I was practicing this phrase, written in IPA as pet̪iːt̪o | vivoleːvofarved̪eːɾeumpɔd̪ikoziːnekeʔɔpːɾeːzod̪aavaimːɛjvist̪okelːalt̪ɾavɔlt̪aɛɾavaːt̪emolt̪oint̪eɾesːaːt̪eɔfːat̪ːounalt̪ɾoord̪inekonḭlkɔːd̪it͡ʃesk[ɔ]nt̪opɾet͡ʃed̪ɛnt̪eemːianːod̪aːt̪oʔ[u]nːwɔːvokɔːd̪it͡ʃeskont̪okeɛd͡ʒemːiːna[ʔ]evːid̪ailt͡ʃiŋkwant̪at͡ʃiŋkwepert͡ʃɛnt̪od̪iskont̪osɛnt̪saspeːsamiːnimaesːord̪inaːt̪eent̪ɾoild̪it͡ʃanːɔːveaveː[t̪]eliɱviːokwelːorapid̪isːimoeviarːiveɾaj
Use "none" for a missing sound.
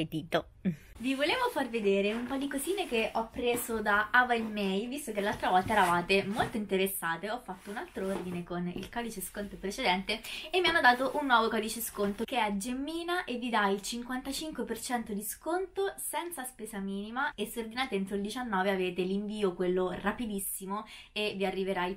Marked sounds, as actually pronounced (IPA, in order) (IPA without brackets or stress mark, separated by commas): o, u, ʔ, t̪